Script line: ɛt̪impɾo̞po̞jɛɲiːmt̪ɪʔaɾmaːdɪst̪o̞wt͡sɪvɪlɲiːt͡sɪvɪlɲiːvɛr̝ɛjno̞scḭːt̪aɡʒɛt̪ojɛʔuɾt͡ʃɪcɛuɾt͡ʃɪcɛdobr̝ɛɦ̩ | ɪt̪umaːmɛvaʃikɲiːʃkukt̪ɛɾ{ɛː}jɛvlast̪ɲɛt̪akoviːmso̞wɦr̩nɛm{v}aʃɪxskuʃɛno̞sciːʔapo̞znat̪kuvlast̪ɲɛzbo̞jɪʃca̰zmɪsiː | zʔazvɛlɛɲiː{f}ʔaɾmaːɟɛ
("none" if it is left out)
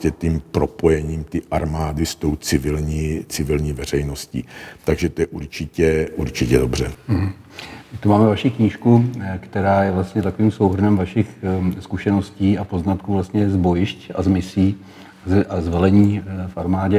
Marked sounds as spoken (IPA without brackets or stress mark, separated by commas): aː, v, f